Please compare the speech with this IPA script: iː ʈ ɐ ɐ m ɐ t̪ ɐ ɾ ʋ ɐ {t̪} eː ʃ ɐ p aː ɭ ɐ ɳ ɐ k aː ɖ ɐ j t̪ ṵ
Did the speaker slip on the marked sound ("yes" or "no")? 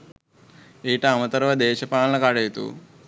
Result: yes